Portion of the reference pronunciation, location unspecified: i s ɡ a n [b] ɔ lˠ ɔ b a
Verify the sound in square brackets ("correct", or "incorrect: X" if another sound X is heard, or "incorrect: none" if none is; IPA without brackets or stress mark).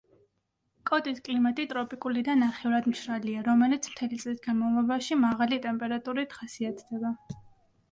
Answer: incorrect: m